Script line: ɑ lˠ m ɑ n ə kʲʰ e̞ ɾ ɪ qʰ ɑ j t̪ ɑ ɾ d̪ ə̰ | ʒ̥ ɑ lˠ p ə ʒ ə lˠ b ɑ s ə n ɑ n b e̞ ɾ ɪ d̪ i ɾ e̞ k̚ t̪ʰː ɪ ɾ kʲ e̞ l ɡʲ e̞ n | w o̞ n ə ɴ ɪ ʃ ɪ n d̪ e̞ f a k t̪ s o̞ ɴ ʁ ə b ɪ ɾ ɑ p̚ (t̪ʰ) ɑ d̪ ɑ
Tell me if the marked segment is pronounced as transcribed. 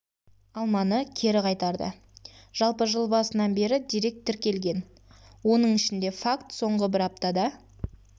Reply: no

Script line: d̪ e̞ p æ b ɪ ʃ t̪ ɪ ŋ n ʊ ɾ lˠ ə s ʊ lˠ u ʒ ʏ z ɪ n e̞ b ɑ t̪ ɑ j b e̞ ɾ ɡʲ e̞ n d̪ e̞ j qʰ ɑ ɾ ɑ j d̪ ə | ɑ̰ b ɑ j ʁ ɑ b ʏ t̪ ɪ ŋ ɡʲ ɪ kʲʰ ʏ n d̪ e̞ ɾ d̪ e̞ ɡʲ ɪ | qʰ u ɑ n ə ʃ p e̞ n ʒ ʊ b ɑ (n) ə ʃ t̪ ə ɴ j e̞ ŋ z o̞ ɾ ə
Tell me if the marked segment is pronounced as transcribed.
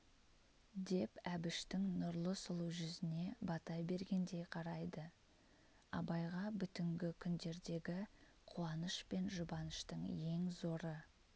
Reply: yes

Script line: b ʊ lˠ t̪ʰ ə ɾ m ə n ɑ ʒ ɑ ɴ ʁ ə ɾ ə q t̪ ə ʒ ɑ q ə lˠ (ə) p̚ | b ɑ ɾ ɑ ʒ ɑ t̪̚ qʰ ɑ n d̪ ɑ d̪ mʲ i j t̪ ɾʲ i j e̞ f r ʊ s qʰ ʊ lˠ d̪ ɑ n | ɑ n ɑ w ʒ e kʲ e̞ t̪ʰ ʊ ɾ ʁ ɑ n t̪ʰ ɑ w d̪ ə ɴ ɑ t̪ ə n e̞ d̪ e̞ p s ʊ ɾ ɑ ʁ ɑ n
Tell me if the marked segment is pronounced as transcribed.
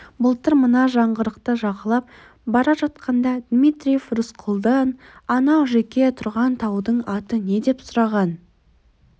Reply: no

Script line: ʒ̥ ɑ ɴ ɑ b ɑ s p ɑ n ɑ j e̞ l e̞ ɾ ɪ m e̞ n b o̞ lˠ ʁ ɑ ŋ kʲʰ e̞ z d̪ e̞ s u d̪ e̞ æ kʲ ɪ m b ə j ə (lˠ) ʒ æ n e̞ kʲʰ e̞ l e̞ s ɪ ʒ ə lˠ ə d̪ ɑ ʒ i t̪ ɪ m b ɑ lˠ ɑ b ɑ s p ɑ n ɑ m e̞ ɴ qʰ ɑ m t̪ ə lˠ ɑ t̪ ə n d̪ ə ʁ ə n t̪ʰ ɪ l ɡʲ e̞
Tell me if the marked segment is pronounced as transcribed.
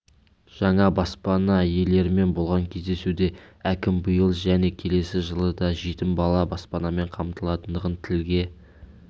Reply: yes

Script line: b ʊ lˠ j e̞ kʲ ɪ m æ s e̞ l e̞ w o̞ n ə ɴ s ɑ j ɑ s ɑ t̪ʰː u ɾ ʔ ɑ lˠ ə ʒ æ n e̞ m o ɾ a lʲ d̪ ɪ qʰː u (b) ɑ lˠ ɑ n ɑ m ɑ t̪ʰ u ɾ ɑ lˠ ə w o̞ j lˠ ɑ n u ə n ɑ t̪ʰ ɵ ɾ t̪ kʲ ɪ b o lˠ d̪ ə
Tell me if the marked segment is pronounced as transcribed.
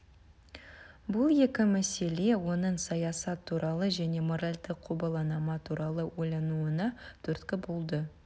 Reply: yes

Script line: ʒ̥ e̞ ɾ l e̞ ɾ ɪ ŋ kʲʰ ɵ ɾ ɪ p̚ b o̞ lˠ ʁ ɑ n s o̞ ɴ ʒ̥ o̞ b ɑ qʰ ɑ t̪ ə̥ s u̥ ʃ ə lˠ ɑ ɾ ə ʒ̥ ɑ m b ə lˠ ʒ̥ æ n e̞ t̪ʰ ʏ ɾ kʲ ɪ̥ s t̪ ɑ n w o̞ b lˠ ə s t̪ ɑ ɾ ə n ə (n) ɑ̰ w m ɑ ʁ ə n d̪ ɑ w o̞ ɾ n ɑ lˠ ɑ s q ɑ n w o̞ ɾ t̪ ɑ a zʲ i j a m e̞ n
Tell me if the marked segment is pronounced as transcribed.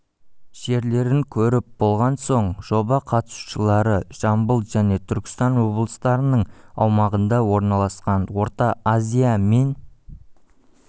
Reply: no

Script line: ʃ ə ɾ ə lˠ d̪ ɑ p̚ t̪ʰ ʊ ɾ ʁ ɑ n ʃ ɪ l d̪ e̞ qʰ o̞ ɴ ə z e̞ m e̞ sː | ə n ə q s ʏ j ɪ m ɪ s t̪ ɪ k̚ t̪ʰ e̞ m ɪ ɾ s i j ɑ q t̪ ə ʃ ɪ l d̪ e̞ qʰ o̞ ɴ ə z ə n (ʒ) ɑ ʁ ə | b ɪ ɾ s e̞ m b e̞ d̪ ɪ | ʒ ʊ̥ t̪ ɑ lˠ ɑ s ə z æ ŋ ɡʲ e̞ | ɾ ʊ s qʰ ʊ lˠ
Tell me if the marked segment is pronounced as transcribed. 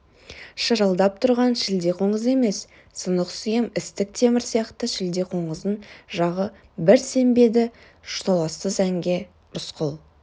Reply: yes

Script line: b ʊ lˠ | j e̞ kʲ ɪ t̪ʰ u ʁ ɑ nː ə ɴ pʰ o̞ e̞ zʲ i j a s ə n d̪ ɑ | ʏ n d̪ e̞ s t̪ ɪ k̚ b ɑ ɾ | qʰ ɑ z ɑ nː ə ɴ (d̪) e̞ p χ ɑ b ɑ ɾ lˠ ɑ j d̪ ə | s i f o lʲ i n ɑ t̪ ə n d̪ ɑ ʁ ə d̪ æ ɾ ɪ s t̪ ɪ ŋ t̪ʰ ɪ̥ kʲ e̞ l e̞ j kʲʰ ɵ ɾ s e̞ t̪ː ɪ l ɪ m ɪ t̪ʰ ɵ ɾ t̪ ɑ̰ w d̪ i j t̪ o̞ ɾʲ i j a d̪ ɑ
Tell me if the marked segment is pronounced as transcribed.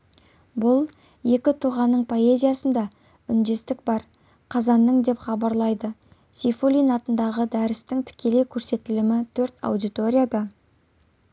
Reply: yes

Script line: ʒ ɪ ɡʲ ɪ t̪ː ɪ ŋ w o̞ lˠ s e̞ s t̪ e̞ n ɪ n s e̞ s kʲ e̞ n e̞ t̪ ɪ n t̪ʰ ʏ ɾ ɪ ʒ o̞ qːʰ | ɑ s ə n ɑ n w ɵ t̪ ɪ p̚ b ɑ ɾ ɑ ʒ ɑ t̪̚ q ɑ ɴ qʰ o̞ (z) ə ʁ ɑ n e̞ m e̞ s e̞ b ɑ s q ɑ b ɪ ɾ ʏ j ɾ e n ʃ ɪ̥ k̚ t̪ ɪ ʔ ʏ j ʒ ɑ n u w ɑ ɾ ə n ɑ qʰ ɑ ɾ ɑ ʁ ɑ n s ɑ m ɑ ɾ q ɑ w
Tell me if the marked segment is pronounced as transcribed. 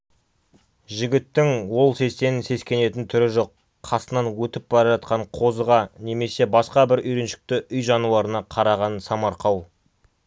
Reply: yes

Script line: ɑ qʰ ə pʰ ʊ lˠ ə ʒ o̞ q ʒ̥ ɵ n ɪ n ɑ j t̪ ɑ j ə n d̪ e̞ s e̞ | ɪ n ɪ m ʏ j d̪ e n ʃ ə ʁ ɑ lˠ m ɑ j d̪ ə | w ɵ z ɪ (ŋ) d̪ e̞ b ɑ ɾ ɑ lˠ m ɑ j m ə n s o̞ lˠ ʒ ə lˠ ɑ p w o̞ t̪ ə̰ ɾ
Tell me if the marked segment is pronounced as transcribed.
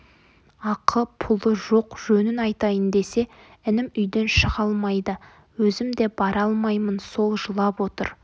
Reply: no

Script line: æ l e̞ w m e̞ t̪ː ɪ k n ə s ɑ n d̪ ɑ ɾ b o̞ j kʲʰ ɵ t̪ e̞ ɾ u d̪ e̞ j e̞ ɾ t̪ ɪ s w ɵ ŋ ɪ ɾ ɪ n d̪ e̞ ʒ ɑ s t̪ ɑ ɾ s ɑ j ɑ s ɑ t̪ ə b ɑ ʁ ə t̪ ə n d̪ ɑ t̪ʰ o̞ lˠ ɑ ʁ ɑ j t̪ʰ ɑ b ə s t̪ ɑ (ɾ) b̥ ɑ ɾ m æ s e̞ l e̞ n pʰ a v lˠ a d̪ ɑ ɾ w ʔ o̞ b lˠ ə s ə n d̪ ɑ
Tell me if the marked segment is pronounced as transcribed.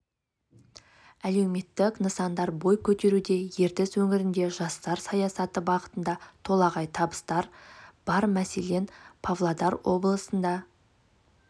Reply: yes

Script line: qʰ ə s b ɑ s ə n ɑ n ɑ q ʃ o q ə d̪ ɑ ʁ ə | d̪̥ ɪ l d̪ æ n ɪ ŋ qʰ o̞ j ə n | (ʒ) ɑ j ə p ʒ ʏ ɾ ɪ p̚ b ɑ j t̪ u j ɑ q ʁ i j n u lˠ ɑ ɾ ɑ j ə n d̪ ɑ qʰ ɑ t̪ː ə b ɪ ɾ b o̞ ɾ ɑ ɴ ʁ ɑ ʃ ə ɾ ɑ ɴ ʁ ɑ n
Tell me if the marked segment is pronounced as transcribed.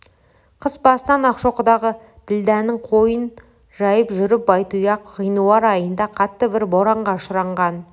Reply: yes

